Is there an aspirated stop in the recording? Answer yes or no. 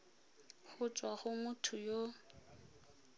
yes